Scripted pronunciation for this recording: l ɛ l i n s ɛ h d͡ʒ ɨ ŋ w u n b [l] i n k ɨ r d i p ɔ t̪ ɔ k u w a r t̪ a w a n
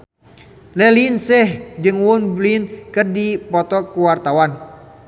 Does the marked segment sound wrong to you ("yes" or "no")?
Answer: no